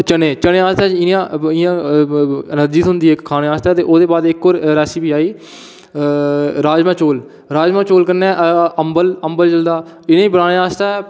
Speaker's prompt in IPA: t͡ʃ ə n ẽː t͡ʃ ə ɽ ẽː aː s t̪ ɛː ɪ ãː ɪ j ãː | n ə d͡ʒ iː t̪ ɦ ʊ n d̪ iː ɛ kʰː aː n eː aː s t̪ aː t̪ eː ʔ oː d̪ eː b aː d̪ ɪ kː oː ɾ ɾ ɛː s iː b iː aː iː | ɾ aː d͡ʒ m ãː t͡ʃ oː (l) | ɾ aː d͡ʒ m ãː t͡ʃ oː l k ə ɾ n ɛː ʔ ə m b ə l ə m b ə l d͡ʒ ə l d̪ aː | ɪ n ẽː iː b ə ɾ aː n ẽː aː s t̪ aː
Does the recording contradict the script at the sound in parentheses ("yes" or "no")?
no